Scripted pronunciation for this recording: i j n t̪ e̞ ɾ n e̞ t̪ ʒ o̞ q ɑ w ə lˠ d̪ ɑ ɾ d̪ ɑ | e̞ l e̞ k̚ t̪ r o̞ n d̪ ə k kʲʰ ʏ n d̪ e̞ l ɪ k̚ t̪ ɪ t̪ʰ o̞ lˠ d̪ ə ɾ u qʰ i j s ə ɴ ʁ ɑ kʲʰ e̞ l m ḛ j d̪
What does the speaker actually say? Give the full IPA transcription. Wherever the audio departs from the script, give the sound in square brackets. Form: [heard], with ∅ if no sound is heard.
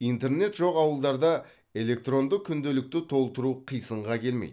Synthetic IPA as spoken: i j n t̪ e̞ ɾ n e̞ t̪ ʒ o̞ q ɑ w ə lˠ d̪ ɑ ɾ d̪ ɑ | e̞ l e̞ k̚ t̪ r o̞ n d̪ ə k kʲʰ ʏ n d̪ e̞ l ɪ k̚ t̪ ɪ t̪ʰ o̞ lˠ [t̪] ə ɾ u qʰ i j s ə ɴ ʁ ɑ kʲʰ e̞ l m ḛ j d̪

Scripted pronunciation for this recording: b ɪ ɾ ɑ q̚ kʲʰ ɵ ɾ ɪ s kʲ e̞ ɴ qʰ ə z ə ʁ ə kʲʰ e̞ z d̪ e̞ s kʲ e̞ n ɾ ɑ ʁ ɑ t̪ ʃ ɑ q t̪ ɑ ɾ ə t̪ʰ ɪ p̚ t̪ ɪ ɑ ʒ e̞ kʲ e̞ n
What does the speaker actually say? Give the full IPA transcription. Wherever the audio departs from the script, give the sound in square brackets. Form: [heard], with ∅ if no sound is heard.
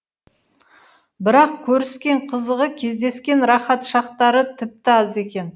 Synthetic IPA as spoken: b ɪ ɾ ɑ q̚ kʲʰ ɵ ɾ ɪ s kʲ e̞ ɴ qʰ ə z ə ʁ ə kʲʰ e̞ z d̪ e̞ s kʲ e̞ n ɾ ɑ [χ] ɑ t̪ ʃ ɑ q t̪ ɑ ɾ ə t̪ʰ ɪ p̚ t̪ ɪ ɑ [z] e̞ kʲ e̞ n

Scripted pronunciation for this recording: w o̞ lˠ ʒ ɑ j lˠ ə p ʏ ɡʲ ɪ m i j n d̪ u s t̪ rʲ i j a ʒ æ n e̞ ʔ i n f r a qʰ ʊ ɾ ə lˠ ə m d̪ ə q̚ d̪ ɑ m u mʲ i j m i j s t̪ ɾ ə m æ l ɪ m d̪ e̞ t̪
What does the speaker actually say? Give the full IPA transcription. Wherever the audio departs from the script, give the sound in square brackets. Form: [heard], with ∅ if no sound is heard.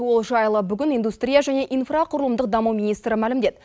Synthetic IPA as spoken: w o̞ lˠ ʒ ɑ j lˠ ə [b] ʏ ɡʲ ɪ [n] i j n d̪ u s t̪ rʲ i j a ʒ æ n e̞ ʔ i n f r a qʰ ʊ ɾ ə lˠ ə m d̪ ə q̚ d̪ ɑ m u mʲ i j [n] i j s t̪ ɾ ə m æ l ɪ m d̪ e̞ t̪

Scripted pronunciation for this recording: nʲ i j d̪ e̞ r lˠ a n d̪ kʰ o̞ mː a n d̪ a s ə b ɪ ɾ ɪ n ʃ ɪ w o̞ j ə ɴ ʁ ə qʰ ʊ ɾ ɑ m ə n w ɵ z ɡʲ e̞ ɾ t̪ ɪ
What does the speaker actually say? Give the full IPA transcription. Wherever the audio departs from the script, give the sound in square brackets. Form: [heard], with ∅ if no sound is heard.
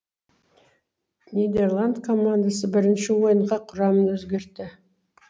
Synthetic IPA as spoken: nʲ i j d̪ e̞ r lˠ a n d̪ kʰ o̞ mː a n d̪ a s ə b ɪ ɾ ɪ n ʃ ɪ w o̞ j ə ɴ ʁ [ɑ] qʰ ʊ ɾ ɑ m ə n w ɵ z ɡʲ e̞ ɾ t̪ ɪ

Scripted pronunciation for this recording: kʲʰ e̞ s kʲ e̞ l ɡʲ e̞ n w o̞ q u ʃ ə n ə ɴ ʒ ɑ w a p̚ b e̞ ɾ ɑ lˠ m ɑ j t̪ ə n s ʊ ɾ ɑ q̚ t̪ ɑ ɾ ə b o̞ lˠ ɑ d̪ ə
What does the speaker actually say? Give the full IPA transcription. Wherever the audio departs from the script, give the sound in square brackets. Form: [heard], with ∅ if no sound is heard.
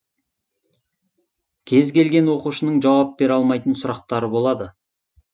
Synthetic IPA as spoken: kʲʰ e̞ [z] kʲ e̞ l ɡʲ e̞ n w o̞ q u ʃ ə n ə ɴ ʒ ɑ w [ɑ] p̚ b e̞ ɾ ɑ lˠ m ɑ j t̪ ə n s ʊ ɾ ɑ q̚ t̪ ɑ ɾ ə b o̞ lˠ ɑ d̪ ə

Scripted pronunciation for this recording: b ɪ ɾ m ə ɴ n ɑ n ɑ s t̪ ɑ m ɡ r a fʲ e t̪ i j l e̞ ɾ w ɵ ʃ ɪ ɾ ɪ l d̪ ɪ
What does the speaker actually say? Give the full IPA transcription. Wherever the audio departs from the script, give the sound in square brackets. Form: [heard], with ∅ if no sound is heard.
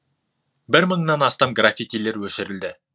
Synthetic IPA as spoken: b ɪ ɾ m ə ɴ n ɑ n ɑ s t̪ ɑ m ɡ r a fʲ [i] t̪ i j l e̞ ɾ w ɵ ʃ ɪ ɾ ɪ l d̪ ɪ

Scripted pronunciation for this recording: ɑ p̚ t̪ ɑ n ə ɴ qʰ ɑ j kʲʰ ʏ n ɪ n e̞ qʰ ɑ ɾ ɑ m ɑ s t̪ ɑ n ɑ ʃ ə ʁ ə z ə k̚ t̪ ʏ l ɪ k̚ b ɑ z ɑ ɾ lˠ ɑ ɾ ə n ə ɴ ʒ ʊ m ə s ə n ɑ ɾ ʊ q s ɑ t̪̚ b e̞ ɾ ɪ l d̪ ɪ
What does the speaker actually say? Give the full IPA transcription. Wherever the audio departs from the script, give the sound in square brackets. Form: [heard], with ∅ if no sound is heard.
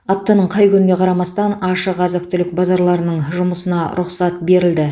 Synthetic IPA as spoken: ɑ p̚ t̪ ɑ n ə ɴ qʰ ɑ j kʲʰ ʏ n ɪ n e̞ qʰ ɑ ɾ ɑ m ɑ s t̪ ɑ n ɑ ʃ ə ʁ [ɑ] z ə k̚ t̪ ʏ l ɪ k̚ b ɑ z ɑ ɾ lˠ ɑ ɾ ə n ə ɴ ʒ ʊ m ə s ə n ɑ ɾ ʊ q s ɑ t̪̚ b e̞ ɾ ɪ l d̪ ɪ

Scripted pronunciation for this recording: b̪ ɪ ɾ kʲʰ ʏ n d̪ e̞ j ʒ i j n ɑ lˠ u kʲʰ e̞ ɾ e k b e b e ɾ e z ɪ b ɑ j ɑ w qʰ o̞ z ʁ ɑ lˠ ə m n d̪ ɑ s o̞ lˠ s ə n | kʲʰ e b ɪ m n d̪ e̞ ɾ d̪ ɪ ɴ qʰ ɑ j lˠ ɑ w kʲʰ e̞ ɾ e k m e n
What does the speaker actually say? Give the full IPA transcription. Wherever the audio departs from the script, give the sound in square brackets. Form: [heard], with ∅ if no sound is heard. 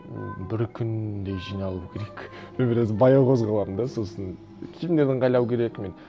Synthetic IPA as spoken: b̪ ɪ ɾ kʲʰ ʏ n d̪ e̞ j ʒ i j n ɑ lˠ u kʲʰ e̞ ɾ e k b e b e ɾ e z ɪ b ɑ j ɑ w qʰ o̞ z ʁ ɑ lˠ [ɑ] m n d̪ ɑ s o̞ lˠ s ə n | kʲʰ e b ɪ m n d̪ e̞ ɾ d̪ ɪ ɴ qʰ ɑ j lˠ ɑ w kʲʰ e̞ ɾ e k m e n

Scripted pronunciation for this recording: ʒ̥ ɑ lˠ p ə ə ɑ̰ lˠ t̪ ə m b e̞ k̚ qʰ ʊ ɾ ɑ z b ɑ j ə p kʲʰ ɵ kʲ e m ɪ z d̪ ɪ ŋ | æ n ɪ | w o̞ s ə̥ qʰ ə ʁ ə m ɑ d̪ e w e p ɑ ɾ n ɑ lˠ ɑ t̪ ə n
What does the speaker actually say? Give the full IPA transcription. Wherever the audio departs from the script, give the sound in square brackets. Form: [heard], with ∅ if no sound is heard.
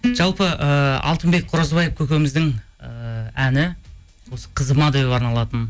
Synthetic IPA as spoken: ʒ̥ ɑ lˠ p ə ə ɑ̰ lˠ t̪ ə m b e̞ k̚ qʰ ʊ ɾ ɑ z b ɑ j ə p kʲʰ ɵ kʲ e m ɪ z d̪ ɪ ŋ | æ n ɪ | w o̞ s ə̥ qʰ ə [z] ə m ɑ d̪ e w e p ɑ ɾ n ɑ lˠ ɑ t̪ ə n

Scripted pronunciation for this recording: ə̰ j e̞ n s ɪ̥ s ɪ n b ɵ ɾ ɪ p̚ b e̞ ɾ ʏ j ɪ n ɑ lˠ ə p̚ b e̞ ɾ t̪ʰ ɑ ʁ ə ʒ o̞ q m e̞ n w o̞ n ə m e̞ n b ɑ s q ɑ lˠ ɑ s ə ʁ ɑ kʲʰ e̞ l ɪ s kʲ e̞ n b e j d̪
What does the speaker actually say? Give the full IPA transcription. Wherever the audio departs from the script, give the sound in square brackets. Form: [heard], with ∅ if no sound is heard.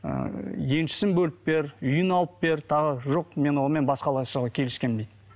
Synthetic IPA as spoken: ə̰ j e̞ n [ʃ] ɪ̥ s ɪ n b ɵ [l] ɪ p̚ b e̞ ɾ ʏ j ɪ n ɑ lˠ ə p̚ b e̞ ɾ t̪ʰ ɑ ʁ ə ʒ o̞ q m e̞ n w o̞ n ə m e̞ n b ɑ s q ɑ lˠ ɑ s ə ʁ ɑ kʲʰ e̞ l ɪ s kʲ e̞ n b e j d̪

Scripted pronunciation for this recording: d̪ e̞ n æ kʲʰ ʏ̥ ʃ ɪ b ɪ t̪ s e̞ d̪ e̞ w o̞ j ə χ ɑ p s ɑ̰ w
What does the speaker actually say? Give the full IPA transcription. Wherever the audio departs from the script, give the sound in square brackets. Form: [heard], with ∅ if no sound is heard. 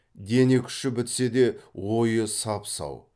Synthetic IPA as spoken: d̪ e̞ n [e] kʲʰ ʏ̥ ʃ ɪ b ɪ t̪ s e̞ d̪ e̞ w o̞ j ə [s] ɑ p s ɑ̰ w

